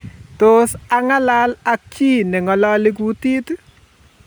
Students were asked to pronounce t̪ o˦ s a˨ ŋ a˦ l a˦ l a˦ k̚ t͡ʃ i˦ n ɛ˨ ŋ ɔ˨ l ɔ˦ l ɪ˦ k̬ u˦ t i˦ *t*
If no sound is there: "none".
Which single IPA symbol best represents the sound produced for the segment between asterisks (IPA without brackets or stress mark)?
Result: t